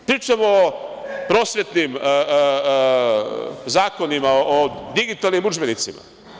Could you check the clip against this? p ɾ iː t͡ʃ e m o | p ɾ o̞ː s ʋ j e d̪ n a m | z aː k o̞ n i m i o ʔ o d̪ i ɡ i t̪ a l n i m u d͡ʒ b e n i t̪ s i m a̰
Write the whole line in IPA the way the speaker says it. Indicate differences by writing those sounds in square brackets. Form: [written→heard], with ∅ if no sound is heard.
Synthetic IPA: p ɾ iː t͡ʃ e m o | p ɾ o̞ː s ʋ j e [d̪→t̪] n [a→i] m | z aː k o̞ n i m [i→a] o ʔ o d̪ i ɡ i t̪ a l n i m u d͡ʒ b e n i t̪ s i m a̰